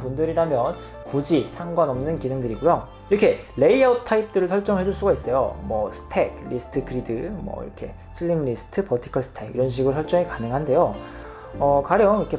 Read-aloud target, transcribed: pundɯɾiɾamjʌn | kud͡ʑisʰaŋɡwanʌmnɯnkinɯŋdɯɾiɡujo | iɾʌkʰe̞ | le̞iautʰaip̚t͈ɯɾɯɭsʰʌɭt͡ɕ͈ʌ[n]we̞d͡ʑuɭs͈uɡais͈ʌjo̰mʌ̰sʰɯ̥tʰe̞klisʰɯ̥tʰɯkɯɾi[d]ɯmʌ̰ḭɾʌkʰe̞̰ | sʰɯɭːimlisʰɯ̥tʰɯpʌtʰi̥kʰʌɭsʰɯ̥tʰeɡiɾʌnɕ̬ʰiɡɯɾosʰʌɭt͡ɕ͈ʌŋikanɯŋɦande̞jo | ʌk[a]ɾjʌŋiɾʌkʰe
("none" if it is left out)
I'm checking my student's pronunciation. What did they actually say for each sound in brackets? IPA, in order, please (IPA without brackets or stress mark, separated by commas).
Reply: ŋ, d, a